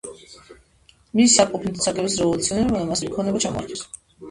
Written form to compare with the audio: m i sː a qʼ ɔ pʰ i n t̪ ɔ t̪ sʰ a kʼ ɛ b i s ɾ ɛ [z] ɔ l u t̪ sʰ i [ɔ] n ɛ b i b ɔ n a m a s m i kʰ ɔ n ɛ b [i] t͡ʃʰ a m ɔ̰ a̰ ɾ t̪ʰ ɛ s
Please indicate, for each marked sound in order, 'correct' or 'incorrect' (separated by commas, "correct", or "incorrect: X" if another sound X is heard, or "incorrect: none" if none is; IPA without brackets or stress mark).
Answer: incorrect: v, correct, incorrect: a